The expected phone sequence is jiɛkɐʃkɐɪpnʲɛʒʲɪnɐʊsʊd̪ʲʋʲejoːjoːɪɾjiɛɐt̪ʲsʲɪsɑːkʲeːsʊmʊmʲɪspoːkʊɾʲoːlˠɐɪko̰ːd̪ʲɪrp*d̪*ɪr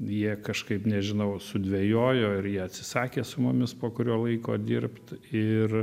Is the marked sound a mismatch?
yes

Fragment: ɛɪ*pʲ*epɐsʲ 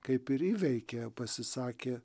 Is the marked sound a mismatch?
yes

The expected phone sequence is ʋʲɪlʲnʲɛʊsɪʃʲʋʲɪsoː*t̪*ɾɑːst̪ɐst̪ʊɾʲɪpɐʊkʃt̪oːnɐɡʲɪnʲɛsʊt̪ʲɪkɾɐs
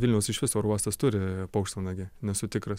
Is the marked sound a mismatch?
yes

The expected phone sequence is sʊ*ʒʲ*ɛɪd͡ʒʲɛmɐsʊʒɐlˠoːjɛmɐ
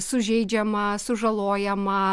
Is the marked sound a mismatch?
no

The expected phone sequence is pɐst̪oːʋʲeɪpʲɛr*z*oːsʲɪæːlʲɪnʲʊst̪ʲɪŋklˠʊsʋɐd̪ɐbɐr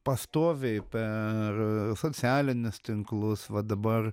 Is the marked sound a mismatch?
yes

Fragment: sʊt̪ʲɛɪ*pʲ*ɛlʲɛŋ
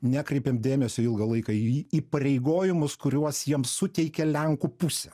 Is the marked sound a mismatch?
yes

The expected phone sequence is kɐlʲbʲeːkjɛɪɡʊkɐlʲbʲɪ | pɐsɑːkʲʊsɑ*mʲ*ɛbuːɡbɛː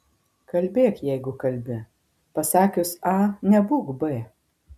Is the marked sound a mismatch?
yes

